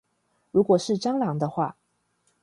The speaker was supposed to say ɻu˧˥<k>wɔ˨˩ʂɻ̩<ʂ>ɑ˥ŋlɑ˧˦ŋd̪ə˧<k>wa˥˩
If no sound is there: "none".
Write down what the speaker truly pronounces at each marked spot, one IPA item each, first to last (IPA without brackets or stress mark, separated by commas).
k, ʈ͡ʂ, x